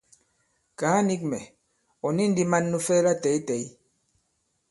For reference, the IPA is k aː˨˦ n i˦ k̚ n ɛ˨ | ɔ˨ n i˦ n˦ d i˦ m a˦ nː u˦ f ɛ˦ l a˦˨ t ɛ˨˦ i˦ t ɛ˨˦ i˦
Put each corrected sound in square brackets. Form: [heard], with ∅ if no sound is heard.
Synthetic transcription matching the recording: k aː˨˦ n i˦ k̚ [m] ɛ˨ | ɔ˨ n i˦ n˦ d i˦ m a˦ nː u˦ f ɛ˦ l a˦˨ t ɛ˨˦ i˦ t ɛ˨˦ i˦